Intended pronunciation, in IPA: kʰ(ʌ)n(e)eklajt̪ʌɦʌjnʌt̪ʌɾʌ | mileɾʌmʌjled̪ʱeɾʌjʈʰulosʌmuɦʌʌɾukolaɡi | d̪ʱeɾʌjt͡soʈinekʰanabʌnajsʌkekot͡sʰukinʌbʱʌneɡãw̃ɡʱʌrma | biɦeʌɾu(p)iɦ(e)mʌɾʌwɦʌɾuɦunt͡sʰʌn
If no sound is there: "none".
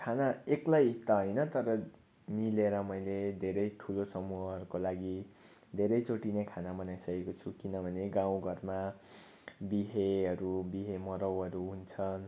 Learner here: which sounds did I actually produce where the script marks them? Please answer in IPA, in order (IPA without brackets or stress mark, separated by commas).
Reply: a, a, b, e